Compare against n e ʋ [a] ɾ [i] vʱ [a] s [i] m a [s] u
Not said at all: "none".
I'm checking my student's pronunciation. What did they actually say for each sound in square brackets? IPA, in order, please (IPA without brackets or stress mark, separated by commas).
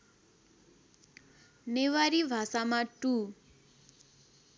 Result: a, i, a, a, t